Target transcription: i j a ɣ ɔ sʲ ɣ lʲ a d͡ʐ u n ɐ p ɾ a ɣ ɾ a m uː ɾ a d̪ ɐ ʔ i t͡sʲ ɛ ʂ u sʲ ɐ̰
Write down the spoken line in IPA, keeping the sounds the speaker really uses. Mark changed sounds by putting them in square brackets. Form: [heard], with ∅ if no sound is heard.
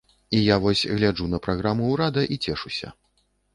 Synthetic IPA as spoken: i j a [v] ɔ sʲ ɣ lʲ a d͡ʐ u n ɐ p ɾ a ɣ ɾ a m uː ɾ a d̪ ɐ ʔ i t͡sʲ ɛ ʂ u sʲ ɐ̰